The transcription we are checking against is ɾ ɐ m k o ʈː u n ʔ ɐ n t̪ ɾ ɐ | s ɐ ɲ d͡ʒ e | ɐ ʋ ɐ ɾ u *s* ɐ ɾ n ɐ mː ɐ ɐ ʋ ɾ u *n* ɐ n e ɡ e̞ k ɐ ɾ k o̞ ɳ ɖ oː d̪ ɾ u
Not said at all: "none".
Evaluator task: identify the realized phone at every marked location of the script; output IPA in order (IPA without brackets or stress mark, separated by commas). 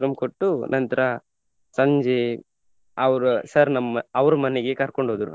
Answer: s, m